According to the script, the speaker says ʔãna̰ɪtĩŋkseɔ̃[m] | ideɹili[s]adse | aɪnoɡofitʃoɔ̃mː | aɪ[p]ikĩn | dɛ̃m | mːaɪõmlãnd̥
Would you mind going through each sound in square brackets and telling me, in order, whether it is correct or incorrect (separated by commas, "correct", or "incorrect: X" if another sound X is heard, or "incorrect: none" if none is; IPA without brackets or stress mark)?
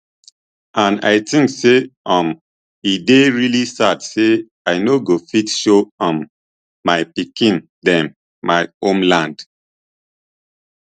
correct, correct, correct